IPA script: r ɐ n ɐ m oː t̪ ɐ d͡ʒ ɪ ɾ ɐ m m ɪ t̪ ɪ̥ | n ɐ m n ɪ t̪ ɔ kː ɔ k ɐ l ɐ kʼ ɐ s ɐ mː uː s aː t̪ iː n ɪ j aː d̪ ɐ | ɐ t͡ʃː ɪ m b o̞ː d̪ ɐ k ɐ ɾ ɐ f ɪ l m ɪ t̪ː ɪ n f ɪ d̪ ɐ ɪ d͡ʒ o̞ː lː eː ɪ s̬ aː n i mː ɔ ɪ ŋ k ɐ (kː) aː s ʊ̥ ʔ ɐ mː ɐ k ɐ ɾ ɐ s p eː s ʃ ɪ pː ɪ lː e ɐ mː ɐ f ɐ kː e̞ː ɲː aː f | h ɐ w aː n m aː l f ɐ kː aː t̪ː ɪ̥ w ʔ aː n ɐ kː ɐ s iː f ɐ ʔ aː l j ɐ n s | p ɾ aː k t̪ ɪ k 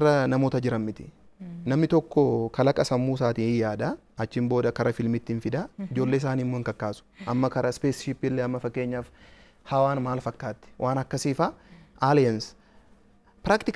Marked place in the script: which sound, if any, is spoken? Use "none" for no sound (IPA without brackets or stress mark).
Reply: kː